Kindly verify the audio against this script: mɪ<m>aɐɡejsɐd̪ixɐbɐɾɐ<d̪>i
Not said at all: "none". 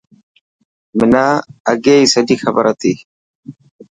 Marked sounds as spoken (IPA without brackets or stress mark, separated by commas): n, t̪